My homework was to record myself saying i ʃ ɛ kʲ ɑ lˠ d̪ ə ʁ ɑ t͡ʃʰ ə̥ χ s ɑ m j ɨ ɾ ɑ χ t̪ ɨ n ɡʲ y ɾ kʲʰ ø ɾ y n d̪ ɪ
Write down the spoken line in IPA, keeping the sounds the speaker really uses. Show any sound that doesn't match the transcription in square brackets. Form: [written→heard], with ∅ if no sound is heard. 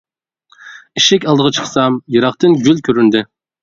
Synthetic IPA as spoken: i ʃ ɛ kʲ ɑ lˠ d̪ ə ʁ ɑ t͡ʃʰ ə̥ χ s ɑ m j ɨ ɾ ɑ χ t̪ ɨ n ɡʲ y [ɾ→l] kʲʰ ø ɾ y n d̪ ɪ

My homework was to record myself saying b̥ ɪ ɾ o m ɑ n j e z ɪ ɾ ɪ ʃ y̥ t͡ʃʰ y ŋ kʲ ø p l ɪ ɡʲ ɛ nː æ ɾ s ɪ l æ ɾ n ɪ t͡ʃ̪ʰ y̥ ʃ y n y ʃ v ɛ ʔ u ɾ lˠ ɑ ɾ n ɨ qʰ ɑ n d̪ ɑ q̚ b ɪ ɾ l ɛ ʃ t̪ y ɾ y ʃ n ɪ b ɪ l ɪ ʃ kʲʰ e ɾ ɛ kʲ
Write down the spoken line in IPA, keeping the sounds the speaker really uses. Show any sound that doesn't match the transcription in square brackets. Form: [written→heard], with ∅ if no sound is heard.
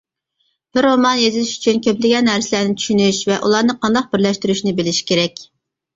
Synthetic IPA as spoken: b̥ ɪ ɾ o m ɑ n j e z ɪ [ɾ→l] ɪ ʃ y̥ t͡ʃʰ y [ŋ→n] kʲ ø p l ɪ ɡʲ ɛ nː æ ɾ s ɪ l æ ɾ n ɪ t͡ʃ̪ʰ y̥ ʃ y n y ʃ v ɛ ʔ u [ɾ→∅] lˠ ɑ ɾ n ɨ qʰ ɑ n d̪ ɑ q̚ b ɪ ɾ l ɛ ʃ t̪ y ɾ y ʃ n ɪ b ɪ l ɪ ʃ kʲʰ e ɾ ɛ kʲ

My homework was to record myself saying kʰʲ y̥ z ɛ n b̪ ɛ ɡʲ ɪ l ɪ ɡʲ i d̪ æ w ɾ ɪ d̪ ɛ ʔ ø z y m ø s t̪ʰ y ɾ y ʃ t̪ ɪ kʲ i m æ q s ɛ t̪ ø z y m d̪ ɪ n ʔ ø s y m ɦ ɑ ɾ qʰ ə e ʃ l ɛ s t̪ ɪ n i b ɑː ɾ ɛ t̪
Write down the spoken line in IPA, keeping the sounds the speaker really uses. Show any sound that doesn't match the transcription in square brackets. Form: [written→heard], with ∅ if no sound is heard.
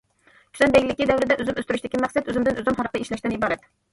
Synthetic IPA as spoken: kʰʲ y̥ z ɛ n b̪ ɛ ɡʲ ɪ l ɪ [ɡʲ→kʲ] i d̪ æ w ɾ ɪ d̪ ɛ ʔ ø z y m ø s [t̪ʰ→t̪] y ɾ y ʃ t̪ ɪ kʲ i m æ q s ɛ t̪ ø z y m d̪ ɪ n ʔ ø [s→z] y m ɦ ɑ ɾ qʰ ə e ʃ l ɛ [s→ʃ] t̪ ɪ n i b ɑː ɾ ɛ t̪

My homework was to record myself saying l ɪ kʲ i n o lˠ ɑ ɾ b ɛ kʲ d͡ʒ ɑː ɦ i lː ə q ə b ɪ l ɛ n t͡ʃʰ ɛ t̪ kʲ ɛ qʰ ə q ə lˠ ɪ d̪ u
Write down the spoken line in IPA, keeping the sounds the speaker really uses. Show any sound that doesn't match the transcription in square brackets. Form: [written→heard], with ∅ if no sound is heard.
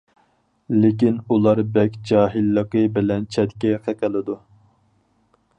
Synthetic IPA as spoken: l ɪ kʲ i n [o→u] lˠ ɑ ɾ b ɛ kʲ d͡ʒ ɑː ɦ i lː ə q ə b ɪ l ɛ n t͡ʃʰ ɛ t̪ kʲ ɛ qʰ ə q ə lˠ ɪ d̪ u

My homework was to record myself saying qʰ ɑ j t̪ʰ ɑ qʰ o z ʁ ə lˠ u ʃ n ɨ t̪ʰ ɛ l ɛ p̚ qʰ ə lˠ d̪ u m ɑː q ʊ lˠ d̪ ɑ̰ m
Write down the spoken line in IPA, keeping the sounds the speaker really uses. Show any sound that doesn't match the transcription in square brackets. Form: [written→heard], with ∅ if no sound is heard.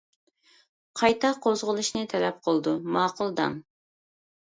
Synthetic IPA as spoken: qʰ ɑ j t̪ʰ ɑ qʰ o z ʁ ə lˠ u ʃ n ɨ t̪ʰ ɛ l ɛ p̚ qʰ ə lˠ d̪ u m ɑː q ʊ lˠ d̪ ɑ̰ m

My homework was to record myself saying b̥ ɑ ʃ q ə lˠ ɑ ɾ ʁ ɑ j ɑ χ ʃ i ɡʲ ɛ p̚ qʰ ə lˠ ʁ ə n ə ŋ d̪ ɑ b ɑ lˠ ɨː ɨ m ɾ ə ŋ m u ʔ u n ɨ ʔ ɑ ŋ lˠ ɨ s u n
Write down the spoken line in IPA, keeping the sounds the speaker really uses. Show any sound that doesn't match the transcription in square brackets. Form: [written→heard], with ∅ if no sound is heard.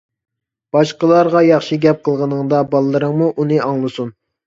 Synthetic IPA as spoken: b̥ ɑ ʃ q ə lˠ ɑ ɾ ʁ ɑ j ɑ χ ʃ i ɡʲ ɛ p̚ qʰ ə lˠ ʁ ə n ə ŋ d̪ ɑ b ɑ lˠ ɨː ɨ [m→∅] ɾ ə ŋ m u ʔ u n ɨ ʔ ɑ ŋ lˠ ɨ s u n

